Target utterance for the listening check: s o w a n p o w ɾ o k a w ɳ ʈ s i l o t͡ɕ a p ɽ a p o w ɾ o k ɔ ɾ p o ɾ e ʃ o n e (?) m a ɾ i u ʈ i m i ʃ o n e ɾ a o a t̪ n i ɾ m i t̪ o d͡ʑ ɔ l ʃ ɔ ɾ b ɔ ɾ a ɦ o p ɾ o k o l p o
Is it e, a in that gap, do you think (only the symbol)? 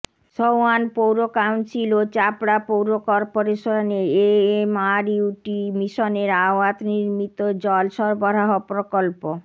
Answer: e